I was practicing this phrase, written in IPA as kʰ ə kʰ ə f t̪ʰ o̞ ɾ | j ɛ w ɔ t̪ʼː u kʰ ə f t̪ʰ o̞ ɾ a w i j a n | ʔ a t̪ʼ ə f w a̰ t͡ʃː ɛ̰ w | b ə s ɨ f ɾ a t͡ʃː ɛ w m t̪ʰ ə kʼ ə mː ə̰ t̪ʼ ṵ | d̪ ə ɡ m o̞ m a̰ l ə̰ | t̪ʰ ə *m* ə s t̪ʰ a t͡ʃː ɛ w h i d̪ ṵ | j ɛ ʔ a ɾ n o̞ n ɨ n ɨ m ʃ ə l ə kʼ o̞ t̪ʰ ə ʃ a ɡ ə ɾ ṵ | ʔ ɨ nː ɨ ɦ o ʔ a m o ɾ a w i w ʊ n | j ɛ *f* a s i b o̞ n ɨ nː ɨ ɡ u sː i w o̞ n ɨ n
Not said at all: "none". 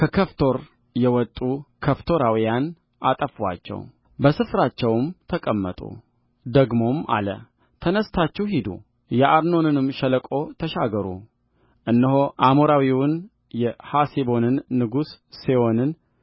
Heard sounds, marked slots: n, h

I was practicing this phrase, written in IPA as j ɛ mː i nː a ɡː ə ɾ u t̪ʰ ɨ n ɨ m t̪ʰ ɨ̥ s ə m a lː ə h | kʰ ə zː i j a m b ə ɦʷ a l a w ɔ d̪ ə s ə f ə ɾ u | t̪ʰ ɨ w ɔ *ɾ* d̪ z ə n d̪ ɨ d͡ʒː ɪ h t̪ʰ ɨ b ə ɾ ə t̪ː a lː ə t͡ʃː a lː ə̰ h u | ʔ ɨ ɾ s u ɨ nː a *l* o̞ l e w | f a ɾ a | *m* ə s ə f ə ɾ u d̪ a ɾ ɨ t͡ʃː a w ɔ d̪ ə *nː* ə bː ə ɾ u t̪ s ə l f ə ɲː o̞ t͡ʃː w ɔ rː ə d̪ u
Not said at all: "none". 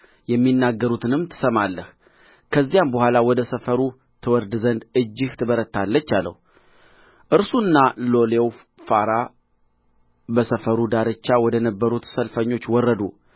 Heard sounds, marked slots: ɾ, l, b, n

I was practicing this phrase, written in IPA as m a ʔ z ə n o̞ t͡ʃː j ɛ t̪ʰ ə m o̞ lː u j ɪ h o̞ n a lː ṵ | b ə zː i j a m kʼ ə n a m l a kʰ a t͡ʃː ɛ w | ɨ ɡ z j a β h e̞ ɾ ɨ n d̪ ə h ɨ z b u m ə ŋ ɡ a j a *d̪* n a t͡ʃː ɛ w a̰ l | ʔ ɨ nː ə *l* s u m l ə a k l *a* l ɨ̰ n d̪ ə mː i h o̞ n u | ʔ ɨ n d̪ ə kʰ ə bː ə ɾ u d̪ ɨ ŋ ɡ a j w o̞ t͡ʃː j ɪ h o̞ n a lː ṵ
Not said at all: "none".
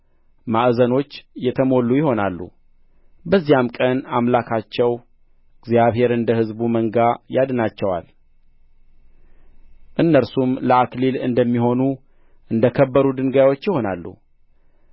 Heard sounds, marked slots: d̪, ɾ, i

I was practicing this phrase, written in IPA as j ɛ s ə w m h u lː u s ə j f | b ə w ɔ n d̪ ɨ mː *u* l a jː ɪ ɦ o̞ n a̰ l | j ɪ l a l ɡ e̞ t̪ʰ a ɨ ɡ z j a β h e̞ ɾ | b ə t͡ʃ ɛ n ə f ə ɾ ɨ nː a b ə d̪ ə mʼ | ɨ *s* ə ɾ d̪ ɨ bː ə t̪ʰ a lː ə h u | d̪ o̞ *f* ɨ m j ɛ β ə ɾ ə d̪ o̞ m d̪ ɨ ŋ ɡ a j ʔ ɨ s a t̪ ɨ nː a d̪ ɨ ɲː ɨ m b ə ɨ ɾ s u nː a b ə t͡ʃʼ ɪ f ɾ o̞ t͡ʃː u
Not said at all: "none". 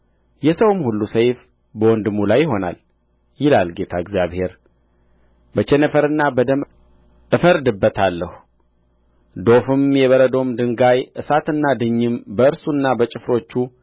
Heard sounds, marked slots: u, f, f

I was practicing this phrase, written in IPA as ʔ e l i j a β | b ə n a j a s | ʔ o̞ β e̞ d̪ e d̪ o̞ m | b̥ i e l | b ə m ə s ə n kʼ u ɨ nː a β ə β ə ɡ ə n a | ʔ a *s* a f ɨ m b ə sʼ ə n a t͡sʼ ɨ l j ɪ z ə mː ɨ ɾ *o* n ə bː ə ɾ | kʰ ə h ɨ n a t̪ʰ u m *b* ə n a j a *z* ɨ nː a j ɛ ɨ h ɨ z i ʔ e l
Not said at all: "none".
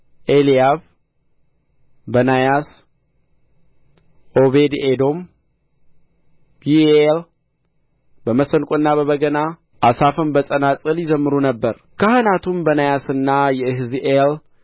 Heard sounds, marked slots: s, u, b, s

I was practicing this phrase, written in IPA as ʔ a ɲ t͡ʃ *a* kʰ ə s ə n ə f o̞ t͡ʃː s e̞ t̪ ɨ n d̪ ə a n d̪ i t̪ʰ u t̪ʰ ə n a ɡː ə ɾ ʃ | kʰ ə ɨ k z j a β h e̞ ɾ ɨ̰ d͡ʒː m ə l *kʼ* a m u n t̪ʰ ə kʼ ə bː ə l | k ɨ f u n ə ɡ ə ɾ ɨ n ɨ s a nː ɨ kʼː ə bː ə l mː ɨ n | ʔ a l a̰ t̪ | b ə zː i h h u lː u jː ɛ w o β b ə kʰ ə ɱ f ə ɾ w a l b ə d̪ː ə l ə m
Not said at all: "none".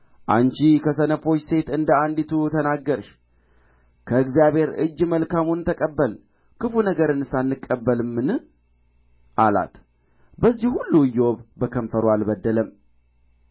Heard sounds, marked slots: i, k

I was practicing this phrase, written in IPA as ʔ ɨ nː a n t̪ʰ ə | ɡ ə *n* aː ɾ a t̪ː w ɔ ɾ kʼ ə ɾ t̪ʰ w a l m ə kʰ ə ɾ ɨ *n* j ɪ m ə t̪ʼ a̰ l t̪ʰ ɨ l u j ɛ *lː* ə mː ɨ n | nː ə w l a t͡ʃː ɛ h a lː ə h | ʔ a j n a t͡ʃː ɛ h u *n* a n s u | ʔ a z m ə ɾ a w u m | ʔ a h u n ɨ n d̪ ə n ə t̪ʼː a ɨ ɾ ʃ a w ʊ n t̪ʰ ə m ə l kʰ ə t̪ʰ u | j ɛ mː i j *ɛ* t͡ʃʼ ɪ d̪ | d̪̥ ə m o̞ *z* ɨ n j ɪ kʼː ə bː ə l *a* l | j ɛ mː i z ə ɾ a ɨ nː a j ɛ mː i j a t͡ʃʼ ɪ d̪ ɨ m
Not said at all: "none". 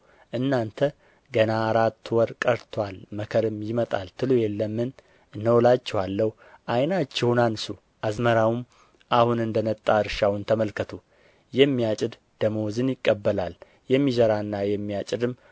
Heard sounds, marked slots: n, m, lː, n, a, z, a

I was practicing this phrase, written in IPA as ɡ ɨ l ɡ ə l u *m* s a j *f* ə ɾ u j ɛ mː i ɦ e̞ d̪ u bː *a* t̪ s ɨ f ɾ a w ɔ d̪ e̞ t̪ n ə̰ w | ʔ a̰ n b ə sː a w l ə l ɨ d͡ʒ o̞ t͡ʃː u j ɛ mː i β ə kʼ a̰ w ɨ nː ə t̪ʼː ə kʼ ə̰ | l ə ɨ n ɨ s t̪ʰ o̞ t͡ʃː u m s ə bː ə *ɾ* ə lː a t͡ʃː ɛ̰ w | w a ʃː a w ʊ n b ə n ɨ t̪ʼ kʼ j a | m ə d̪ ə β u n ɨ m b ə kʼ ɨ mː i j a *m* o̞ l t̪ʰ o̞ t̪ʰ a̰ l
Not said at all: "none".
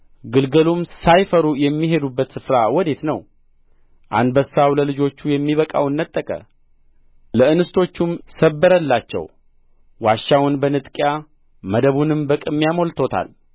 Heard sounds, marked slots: m, f, ə, ɾ, m

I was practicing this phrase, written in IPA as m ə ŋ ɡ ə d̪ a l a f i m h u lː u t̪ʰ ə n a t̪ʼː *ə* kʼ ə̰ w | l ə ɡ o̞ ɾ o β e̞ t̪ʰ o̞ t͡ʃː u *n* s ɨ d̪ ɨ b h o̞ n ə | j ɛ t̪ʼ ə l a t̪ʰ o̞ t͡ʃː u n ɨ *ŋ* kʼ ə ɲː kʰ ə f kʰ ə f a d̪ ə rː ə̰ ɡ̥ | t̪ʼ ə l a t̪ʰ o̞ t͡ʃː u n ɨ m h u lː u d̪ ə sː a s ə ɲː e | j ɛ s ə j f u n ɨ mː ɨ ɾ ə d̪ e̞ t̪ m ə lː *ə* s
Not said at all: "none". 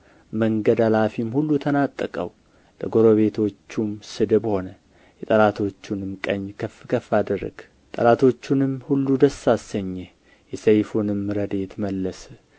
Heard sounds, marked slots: ə, m, m, ə

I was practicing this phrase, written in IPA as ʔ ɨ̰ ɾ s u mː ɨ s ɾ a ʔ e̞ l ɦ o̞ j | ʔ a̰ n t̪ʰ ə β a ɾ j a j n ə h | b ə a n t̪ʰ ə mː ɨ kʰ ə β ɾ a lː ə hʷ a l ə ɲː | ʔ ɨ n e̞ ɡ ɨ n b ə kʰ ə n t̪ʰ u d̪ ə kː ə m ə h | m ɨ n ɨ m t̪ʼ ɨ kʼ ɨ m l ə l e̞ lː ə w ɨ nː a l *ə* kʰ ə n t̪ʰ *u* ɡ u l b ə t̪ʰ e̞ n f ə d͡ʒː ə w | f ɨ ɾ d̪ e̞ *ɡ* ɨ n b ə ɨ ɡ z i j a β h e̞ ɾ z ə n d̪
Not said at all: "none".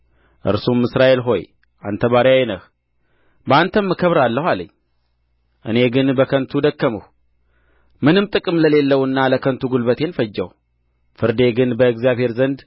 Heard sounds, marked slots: ə, u, ɡ

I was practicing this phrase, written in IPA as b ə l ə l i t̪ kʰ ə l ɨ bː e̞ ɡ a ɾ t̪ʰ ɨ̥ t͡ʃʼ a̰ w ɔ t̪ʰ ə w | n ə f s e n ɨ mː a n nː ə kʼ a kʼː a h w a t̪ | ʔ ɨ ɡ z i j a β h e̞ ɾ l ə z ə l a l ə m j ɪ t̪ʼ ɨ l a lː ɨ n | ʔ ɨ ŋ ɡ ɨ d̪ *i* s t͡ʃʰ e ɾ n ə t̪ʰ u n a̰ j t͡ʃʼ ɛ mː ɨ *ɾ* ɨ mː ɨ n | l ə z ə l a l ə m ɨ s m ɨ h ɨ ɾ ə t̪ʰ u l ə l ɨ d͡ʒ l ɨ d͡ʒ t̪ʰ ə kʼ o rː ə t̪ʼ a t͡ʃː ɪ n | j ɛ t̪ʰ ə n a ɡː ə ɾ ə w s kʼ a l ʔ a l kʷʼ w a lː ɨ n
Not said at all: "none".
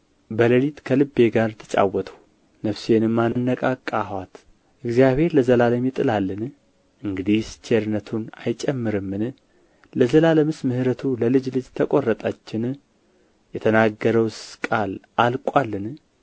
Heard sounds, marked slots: i, ɾ

